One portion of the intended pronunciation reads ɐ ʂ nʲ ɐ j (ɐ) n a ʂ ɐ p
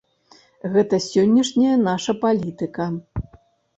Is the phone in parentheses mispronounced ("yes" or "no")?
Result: no